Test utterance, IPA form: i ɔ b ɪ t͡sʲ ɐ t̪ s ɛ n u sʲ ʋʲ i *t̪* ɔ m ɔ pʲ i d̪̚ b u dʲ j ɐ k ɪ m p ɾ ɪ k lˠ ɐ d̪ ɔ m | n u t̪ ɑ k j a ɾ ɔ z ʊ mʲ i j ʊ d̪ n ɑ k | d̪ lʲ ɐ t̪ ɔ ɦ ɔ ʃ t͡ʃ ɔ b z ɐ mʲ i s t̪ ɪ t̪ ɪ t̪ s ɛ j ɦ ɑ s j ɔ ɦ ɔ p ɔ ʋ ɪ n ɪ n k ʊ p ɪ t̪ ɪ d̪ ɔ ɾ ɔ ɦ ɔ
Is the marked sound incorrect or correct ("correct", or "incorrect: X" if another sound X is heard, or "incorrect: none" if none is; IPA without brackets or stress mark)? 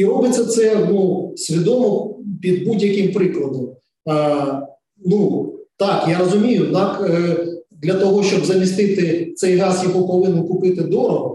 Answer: incorrect: d̪